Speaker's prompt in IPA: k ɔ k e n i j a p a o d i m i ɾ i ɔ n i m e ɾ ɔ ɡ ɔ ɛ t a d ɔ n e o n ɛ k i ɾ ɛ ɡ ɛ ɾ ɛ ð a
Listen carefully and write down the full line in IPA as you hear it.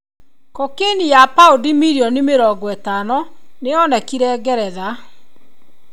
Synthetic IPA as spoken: k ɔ k e n i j a p a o d i m i ɾ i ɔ n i m e ɾ ɔ ɡ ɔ ɛ t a n ɔ n e ɔ n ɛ k i ɾ ɛ ɡ ɛ ɾ ɛ ð a